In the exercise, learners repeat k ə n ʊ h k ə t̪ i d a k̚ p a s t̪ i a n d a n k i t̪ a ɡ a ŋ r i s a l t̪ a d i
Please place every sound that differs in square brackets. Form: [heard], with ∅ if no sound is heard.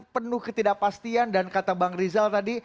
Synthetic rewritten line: [p] ə n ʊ h k ə t̪ i d a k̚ p a s t̪ i a n d a n k [a] t̪ a [b] a ŋ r i [z] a l t̪ a d i